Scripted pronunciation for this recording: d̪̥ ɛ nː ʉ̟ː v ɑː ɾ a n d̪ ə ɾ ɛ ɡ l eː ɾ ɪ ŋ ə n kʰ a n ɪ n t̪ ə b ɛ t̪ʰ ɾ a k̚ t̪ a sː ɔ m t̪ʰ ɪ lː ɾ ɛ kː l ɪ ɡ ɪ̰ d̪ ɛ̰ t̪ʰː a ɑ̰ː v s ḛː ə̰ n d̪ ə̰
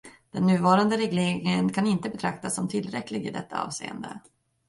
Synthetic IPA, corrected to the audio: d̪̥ ɛ nː ʉ̟ː v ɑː ɾ a n d̪ ə ɾ ɛ ɡ l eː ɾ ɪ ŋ ə n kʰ a n ɪ n t̪ ə b ɛ t̪ʰ ɾ a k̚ t̪ a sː ɔ m t̪ʰ ɪ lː ɾ ɛ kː l ɪ ɡ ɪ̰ d̪ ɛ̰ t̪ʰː a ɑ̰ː v s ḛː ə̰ n d̪ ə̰